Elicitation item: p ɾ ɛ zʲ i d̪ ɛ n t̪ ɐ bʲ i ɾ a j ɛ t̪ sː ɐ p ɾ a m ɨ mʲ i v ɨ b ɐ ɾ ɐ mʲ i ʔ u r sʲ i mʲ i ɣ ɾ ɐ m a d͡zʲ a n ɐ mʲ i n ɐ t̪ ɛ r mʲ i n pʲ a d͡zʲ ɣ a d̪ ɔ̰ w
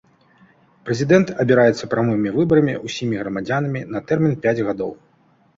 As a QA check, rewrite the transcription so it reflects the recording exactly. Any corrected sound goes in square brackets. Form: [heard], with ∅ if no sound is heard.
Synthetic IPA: p ɾ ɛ zʲ i d̪ ɛ n t̪ ɐ bʲ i ɾ a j ɛ t̪ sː ɐ p ɾ a m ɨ mʲ i v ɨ b ɐ ɾ ɐ mʲ i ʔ u [∅] sʲ i mʲ i ɣ ɾ ɐ m a d͡zʲ a n ɐ mʲ i n ɐ t̪ ɛ r mʲ i n pʲ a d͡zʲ ɣ a d̪ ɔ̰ w